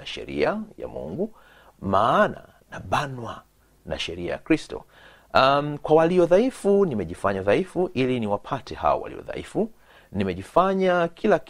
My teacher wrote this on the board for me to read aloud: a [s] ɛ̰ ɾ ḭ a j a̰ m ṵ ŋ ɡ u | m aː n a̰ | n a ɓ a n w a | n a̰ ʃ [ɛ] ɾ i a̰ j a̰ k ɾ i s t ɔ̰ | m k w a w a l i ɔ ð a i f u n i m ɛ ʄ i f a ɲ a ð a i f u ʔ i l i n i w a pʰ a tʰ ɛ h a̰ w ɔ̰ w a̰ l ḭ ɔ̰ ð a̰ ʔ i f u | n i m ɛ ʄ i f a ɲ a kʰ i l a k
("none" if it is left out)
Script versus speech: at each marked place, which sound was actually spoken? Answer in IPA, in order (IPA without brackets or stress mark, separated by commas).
ʃ, ɛ